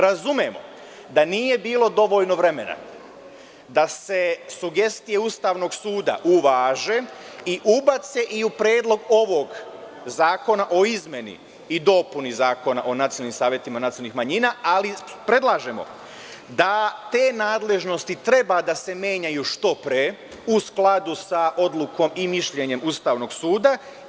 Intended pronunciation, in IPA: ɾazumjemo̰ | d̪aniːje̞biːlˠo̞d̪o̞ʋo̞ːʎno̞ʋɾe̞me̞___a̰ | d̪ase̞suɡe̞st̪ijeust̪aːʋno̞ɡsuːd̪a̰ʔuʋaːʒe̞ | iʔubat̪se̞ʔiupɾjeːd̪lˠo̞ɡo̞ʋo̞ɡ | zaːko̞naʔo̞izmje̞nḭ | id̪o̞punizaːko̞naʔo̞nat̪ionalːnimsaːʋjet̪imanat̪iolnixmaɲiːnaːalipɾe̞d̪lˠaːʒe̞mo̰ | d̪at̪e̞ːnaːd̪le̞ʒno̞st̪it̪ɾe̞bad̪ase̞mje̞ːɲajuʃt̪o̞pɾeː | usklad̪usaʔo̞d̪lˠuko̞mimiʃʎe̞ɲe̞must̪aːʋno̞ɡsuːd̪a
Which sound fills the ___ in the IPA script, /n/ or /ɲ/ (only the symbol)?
n